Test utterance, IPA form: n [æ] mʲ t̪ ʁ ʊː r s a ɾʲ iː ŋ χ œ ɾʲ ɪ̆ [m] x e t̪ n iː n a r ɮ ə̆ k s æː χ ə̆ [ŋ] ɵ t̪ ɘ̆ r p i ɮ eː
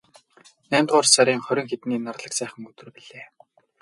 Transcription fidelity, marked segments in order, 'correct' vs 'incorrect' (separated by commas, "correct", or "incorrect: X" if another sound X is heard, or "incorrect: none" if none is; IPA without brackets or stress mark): incorrect: æː, incorrect: ŋ, correct